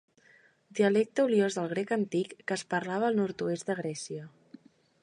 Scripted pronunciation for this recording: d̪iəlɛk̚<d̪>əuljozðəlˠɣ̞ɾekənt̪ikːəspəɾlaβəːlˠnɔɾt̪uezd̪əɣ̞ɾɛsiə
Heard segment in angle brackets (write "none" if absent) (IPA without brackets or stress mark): t̪